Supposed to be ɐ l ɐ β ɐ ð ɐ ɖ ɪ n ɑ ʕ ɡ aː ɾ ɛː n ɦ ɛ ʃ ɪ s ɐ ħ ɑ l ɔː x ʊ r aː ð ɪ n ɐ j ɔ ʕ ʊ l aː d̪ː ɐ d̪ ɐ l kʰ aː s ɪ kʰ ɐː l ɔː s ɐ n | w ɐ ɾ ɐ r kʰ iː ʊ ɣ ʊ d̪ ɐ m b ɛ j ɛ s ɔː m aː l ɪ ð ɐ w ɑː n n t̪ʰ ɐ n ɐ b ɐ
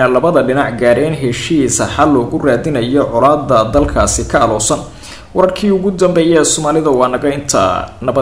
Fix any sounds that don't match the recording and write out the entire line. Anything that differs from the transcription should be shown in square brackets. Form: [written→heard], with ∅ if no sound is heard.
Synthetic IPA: ɐ l ɐ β ɐ ð ɐ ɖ ɪ n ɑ ʕ ɡ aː ɾ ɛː n ɦ ɛ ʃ [ɪ→i] s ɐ ħ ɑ l ɔː [x→ɣ] ʊ r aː ð ɪ n ɐ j ɔ ʕ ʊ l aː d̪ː ɐ d̪ ɐ l kʰ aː s ɪ kʰ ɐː l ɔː s ɐ n | w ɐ ɾ ɐ r kʰ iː ʊ ɣ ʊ d̪ ɐ m b ɛ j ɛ s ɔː m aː l ɪ ð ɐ w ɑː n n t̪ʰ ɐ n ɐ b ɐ